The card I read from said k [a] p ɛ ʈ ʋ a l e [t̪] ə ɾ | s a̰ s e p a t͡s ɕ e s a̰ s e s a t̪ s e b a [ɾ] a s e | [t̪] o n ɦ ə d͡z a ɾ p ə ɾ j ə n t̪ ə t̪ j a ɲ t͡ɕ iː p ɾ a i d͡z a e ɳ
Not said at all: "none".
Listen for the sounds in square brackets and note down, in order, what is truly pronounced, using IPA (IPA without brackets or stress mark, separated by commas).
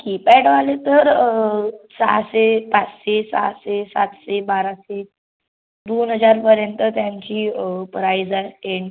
i, t̪, ɾ, d̪